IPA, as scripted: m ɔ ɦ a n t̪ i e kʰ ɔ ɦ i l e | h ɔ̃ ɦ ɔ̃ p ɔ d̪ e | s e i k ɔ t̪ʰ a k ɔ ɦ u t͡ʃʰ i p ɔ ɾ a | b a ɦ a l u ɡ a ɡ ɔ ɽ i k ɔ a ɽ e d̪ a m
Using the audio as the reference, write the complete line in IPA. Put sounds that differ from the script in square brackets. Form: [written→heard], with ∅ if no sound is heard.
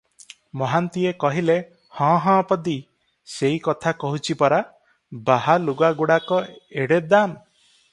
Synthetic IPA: m ɔ ɦ a n t̪ i e [kʰ→k] ɔ ɦ i l e | h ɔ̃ ɦ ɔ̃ p ɔ d̪ [e→i] | s e i k ɔ t̪ʰ a k ɔ ɦ u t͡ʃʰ i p ɔ ɾ a | b a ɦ a l u ɡ a ɡ [ɔ→u] ɽ [i→a] k ɔ [a→e] ɽ e d̪ a m